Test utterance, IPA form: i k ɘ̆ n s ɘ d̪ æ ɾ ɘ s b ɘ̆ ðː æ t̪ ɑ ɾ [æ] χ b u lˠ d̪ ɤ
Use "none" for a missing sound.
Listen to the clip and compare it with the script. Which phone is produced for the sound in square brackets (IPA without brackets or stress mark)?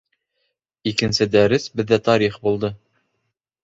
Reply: i